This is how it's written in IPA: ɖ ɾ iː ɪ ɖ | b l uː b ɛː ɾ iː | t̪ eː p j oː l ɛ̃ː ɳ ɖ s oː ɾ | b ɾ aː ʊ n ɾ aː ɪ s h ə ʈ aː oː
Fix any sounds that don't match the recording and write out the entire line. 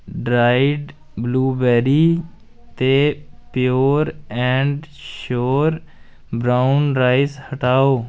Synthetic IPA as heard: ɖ ɾ aː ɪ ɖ | b l uː b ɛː ɾ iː | t̪ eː p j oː ɾ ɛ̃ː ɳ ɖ ʃ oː ɾ | b ɾ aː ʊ n ɾ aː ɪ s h ə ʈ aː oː